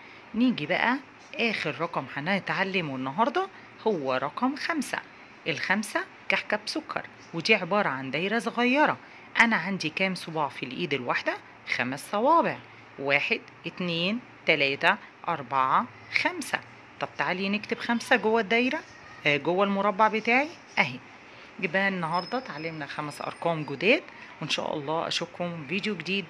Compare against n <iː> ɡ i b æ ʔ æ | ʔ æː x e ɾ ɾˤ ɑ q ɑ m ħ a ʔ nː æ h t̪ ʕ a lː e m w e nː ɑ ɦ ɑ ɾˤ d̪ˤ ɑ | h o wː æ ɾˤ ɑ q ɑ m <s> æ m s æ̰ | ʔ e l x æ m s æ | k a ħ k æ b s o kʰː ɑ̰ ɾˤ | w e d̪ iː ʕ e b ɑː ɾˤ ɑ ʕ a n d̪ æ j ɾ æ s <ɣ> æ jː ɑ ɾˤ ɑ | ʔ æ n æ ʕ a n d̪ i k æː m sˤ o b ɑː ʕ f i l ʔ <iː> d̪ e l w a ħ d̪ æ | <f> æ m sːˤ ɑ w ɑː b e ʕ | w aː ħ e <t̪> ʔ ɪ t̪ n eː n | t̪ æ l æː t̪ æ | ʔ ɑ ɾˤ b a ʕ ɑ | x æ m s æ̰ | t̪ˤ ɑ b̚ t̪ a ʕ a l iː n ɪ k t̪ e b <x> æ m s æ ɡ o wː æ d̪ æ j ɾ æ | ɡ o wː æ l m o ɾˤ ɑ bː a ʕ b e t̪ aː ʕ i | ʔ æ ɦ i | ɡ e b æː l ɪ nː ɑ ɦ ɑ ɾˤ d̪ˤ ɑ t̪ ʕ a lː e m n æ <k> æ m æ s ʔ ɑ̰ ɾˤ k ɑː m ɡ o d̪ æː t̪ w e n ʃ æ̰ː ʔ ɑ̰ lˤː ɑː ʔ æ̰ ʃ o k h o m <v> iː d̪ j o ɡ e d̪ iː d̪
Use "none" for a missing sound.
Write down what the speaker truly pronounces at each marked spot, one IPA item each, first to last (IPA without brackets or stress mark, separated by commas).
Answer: iː, x, ɣ, iː, x, d̪, x, x, v